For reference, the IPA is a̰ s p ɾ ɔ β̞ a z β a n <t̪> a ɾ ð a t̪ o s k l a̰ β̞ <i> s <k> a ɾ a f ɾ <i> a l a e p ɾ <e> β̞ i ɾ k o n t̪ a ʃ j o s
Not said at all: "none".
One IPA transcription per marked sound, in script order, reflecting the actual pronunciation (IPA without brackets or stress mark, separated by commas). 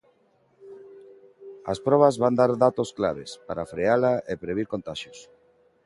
d̪, e, p, e, e